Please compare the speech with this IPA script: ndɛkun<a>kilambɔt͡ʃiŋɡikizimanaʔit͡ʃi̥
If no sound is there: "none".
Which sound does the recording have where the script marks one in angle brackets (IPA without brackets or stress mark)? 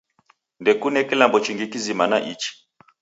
ɛ